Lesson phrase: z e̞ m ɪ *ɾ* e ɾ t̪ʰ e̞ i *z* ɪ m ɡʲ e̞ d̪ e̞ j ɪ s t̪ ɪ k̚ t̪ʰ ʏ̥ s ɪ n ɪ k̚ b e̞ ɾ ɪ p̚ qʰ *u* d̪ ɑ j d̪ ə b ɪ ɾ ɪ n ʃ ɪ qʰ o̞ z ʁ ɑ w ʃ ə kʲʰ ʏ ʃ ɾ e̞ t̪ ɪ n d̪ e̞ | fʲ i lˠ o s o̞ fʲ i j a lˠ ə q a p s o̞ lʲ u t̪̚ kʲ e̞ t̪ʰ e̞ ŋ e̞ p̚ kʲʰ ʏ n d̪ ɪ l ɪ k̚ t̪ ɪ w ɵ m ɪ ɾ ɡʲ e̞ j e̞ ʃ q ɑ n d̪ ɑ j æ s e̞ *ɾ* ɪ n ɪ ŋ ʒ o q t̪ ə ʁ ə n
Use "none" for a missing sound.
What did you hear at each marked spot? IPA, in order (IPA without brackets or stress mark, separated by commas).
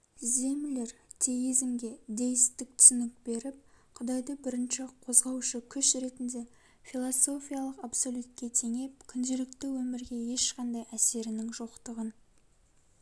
l, z, ʊ, ɾ